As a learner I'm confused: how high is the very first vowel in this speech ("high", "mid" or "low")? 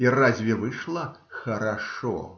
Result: high